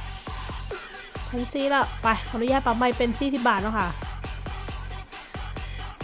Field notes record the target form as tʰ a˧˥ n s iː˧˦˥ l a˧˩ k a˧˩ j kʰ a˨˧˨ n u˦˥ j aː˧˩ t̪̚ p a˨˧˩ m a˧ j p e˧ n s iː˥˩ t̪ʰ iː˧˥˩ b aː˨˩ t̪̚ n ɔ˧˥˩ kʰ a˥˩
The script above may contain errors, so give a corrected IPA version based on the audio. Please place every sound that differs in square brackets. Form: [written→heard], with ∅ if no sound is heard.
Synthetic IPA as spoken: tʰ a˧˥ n s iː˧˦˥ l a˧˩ [k→p] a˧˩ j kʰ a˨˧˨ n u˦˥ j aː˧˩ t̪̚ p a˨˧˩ m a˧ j p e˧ n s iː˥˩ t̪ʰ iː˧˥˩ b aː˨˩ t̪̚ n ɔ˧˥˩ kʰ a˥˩